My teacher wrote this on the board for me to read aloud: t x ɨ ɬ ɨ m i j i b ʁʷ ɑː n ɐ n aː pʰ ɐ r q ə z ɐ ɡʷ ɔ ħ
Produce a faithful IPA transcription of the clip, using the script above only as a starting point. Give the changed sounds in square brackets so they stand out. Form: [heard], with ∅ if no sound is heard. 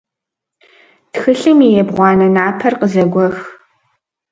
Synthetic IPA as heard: t x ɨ ɬ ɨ m i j [ɛ] b ʁʷ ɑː n ɐ n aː pʰ ɐ r q ə z ɐ ɡʷ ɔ [x]